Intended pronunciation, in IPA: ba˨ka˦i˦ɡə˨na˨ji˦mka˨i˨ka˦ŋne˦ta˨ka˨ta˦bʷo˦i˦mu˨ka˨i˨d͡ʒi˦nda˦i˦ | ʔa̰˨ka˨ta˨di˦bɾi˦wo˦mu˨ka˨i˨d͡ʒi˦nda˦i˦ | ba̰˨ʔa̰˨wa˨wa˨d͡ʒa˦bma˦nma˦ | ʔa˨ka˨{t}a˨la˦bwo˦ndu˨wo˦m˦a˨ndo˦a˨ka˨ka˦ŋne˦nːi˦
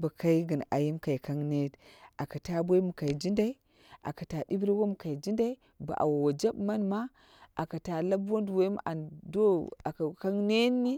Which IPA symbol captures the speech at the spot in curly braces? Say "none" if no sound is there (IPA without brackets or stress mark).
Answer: t